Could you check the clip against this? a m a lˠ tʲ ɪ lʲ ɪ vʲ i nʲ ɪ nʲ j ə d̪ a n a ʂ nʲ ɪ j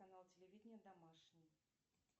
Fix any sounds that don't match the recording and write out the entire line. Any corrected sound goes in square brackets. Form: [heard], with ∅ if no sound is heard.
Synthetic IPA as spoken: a [n] a lˠ tʲ ɪ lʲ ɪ vʲ i [dʲ] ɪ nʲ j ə d̪ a [m] a ʂ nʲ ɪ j